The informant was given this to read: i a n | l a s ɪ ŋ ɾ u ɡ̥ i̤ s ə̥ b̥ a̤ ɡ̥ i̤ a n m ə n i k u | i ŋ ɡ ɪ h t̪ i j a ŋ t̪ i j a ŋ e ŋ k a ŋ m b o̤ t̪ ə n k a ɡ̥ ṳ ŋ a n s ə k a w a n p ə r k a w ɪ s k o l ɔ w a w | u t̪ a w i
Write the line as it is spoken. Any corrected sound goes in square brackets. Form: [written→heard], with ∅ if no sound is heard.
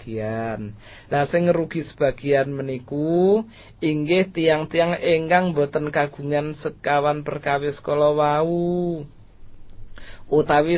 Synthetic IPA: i a n | l a s ɪ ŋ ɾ u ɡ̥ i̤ s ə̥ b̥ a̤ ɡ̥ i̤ a n m ə n i k u | i ŋ ɡ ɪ h t̪ i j a ŋ t̪ i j a ŋ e ŋ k a ŋ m b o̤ t̪ ə n k a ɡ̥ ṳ ŋ a n s ə k a w a n p ə r k a w ɪ s k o l ɔ w a [w→u] | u t̪ a w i